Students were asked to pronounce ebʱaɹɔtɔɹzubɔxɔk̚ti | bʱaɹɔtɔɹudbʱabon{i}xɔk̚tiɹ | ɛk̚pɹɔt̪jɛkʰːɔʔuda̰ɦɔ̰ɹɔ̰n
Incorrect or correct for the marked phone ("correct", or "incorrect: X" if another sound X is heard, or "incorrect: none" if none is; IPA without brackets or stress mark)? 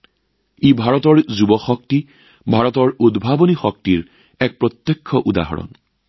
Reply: correct